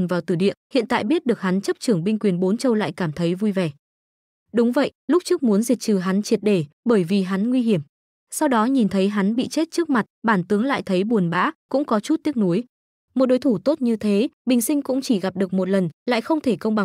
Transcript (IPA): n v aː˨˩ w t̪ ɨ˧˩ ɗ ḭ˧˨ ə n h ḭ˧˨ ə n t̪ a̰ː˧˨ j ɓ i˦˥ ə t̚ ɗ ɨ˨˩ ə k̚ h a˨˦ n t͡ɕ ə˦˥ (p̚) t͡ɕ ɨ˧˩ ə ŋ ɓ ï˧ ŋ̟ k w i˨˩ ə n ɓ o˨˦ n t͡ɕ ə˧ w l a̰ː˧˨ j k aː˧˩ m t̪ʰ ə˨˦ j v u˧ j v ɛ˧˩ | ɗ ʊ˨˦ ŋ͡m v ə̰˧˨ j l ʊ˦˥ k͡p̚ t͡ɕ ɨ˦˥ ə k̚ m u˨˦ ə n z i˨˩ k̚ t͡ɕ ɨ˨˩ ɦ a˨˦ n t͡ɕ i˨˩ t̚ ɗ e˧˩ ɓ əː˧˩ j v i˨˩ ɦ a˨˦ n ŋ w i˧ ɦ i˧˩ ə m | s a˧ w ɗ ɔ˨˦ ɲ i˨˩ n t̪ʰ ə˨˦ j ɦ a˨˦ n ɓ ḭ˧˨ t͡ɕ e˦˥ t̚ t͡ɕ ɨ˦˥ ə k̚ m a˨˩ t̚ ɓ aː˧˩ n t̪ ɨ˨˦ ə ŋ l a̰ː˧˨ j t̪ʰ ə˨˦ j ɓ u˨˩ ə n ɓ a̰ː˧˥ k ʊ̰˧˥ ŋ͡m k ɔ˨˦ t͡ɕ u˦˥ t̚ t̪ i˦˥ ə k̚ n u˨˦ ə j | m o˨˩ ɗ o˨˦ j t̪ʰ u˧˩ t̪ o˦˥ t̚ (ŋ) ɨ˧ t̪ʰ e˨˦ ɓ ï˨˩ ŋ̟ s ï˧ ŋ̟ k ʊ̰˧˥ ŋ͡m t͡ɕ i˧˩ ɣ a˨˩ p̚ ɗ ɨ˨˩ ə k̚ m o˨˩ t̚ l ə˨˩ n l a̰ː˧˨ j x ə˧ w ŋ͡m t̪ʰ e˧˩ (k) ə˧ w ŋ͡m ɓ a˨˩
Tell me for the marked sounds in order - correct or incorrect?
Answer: correct, incorrect, correct

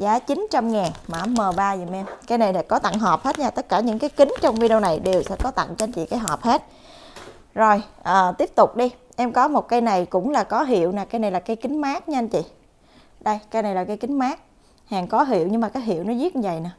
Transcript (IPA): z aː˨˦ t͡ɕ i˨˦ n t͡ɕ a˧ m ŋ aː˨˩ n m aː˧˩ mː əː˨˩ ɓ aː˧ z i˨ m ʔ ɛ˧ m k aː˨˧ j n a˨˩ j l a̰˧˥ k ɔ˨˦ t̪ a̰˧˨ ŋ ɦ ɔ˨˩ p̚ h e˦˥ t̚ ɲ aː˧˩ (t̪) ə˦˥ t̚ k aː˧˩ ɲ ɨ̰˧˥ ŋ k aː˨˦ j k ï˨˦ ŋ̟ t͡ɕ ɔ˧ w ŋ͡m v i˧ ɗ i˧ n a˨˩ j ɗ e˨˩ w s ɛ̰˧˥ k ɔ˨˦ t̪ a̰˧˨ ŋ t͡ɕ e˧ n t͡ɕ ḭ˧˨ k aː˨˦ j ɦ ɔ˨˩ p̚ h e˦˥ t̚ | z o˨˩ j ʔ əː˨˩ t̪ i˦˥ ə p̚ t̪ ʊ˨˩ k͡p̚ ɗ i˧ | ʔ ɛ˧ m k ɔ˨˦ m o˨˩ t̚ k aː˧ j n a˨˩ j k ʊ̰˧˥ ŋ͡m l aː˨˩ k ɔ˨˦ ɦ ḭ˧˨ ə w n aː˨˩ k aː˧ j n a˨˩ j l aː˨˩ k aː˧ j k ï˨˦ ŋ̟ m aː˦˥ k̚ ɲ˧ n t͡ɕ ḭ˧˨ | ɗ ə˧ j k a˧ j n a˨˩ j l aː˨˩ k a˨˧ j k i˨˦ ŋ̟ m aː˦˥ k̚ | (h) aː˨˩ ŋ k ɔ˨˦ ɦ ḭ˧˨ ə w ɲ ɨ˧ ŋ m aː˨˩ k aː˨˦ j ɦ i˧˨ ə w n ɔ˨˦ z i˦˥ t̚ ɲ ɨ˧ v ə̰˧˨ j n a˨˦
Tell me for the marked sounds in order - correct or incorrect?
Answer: correct, correct

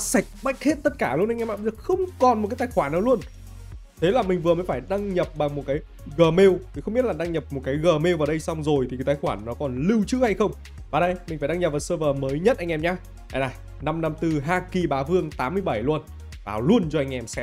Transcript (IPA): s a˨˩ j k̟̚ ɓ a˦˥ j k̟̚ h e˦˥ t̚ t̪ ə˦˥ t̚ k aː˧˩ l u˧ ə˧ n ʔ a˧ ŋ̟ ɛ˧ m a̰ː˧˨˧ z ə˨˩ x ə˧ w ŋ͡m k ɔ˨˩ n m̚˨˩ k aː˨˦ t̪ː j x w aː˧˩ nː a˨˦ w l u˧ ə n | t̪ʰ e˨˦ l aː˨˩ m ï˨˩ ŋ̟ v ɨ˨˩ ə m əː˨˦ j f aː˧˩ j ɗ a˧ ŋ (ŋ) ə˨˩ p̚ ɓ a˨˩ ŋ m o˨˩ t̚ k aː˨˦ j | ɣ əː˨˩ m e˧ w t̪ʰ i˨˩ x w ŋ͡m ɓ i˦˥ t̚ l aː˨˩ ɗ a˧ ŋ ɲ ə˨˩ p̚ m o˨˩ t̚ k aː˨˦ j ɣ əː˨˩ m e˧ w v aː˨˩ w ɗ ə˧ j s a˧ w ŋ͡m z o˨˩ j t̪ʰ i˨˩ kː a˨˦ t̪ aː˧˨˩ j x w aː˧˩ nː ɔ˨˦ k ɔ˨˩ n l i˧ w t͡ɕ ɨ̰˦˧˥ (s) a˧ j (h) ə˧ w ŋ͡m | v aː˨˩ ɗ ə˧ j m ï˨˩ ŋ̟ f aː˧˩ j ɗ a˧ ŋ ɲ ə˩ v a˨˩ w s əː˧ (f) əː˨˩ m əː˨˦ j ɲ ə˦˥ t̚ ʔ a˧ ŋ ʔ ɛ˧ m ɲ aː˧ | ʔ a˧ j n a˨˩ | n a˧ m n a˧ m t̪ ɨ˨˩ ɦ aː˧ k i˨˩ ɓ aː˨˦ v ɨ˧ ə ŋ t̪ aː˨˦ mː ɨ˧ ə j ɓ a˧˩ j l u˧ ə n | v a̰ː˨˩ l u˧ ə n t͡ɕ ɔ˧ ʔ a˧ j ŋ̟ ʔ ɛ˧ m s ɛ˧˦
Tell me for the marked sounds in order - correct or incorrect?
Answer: incorrect, incorrect, incorrect, incorrect

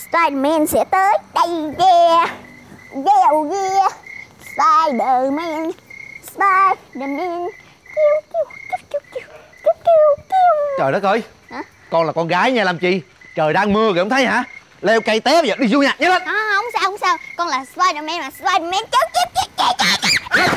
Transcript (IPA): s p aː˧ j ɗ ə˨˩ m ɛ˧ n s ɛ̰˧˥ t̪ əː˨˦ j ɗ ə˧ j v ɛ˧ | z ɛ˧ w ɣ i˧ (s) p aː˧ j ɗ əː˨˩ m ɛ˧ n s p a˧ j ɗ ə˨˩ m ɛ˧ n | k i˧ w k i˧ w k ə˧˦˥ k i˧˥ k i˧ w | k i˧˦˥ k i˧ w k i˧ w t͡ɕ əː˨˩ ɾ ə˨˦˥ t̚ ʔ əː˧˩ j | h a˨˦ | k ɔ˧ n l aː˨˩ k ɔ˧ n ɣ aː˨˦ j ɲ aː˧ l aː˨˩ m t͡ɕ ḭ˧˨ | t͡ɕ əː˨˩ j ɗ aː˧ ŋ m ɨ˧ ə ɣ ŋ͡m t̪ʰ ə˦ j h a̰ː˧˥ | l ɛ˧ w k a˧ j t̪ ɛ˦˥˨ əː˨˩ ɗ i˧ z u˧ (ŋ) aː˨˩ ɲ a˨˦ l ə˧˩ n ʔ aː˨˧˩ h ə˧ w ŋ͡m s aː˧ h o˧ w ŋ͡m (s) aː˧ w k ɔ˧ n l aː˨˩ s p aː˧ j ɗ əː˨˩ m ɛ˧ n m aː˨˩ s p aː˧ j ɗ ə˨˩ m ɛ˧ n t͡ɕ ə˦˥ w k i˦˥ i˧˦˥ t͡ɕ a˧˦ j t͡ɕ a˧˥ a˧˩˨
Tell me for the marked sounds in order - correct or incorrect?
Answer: correct, incorrect, correct

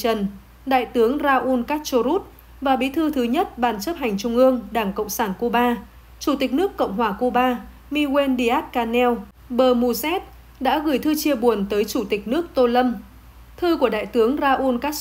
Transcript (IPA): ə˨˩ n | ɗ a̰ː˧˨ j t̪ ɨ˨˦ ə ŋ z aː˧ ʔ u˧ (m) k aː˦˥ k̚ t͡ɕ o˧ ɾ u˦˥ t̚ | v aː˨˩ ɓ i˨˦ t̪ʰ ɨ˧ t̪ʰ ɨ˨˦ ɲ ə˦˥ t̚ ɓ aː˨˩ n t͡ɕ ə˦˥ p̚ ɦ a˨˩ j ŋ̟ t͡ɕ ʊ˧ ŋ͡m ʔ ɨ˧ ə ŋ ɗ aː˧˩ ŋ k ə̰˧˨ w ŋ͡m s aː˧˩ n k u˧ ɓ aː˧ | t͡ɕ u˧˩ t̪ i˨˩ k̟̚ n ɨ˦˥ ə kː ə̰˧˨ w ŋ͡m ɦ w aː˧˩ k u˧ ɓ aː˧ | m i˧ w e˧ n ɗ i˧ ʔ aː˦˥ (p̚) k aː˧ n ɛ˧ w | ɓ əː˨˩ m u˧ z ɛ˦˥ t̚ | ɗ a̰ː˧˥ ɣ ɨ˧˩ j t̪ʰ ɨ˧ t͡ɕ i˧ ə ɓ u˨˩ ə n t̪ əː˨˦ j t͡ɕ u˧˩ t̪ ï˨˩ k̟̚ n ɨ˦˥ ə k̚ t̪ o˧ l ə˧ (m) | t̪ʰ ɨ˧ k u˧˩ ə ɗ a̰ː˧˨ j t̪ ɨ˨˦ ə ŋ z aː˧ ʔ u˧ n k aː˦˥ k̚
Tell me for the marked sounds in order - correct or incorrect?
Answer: incorrect, incorrect, correct

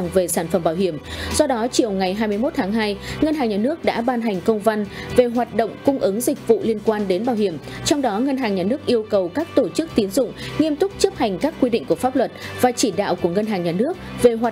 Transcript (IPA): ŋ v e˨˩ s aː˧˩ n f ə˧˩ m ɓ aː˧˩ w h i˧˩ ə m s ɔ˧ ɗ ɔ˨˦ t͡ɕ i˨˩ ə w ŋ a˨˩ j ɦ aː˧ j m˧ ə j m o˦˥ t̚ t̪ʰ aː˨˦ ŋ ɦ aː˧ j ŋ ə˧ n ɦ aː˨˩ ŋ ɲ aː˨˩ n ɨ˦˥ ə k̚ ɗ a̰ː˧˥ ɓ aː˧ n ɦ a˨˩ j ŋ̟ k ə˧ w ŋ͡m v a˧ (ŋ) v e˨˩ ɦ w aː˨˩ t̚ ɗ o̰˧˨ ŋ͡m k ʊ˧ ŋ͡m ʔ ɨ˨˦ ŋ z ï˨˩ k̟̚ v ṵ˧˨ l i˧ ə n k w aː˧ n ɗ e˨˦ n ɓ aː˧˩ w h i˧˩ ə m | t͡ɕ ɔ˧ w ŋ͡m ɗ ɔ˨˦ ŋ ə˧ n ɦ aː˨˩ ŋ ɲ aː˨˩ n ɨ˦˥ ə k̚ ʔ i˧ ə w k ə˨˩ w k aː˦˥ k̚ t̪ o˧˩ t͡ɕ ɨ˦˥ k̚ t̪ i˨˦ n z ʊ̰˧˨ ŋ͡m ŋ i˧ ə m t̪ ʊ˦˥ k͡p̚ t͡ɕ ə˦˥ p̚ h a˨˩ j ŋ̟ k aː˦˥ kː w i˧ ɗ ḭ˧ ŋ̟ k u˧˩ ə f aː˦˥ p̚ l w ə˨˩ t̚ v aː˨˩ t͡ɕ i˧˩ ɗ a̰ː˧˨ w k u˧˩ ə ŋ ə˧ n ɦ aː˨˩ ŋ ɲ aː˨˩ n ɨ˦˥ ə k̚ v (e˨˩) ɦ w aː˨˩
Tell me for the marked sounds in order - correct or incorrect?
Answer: incorrect, correct

